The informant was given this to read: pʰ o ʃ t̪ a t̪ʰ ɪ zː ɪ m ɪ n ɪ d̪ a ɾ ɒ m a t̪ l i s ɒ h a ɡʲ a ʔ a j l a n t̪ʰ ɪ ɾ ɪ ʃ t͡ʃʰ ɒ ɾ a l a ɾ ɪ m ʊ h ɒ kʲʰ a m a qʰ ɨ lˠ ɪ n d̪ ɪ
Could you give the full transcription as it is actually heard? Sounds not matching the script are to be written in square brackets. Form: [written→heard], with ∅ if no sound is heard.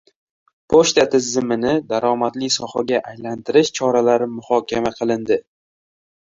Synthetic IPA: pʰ o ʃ t̪ a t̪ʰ ɪ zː ɪ m ɪ n ɪ d̪ a ɾ ɒ m a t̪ l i s ɒ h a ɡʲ a ʔ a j l a n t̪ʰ ɪ ɾ ɪ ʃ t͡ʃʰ ɒ ɾ a l a ɾ ɪ m ʊ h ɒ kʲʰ a m a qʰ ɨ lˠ ɪ n d̪ ɪ